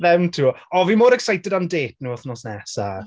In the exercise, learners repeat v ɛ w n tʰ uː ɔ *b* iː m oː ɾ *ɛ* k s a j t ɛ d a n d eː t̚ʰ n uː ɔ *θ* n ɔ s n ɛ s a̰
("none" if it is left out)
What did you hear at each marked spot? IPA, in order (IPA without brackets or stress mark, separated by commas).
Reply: v, ɛ, θ